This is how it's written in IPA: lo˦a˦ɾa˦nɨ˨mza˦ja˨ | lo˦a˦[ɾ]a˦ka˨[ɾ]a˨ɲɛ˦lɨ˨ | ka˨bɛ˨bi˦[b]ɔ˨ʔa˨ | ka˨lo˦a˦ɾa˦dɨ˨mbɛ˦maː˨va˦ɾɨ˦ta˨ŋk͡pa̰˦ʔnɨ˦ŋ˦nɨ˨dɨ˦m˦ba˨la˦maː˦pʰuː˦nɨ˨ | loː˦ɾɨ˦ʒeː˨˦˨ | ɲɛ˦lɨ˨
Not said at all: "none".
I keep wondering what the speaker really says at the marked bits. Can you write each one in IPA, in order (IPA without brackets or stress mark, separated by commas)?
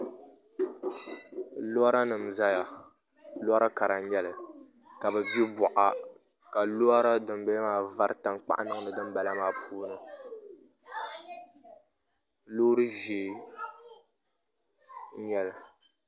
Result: ɾ, ɾ, b